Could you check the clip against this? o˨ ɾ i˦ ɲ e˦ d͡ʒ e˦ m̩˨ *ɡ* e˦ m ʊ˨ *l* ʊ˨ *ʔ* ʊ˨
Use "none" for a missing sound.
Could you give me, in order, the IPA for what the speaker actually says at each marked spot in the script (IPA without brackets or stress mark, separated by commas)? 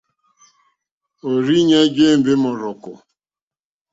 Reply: b, ɾ, k